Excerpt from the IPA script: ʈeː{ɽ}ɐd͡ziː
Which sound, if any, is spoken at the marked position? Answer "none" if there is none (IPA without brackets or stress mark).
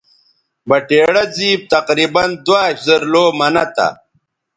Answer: ɽ